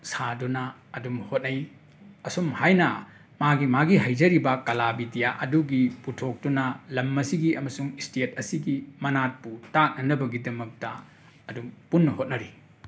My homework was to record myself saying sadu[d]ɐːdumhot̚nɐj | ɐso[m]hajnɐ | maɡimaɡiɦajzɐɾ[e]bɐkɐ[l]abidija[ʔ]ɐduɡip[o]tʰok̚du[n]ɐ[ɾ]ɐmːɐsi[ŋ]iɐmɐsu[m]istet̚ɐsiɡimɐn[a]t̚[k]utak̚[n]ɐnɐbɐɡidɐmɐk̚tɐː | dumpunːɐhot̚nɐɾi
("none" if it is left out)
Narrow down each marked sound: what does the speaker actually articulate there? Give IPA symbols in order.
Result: n, m, i, l, ʔ, u, n, l, ɡ, ŋ, a, p, n

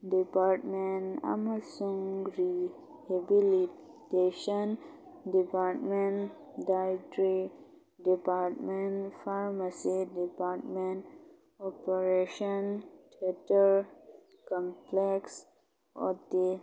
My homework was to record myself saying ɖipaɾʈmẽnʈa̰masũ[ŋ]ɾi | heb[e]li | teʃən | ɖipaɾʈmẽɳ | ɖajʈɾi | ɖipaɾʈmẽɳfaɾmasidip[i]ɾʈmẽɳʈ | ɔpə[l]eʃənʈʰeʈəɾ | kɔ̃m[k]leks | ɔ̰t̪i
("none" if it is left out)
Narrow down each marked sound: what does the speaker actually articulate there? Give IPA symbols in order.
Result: ŋ, i, a, ɾ, p

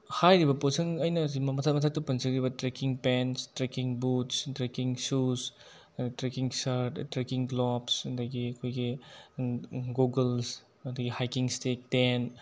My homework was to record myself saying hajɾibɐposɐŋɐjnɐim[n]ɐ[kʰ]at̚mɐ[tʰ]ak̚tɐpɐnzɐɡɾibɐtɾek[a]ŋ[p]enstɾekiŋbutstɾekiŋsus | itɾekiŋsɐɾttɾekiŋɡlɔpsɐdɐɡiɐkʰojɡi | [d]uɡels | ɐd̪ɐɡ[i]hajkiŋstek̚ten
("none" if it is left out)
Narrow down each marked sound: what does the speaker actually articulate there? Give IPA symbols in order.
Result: m, tʰ, tʰ, i, p, ɡ, i

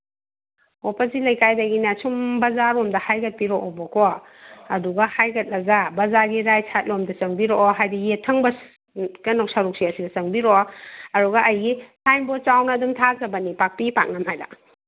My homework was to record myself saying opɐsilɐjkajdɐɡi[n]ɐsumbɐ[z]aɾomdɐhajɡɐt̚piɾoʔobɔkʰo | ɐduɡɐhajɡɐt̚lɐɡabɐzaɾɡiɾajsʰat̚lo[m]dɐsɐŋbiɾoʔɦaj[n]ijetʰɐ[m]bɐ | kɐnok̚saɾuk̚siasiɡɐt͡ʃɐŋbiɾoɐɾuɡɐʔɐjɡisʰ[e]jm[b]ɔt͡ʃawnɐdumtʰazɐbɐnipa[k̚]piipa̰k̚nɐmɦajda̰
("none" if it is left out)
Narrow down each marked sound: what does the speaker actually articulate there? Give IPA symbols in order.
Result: n, z, m, d, ŋ, a, b, k̚

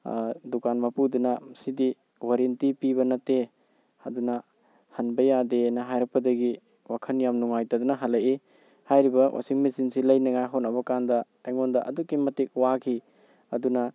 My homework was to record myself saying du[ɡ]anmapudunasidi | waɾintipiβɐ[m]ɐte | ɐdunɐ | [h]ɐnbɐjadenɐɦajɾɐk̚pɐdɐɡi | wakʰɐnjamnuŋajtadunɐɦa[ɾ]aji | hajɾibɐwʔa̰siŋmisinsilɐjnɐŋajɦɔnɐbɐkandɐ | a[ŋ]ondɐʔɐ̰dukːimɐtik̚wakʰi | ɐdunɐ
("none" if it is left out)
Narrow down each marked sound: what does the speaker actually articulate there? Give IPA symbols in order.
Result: k, n, h, l, ŋ

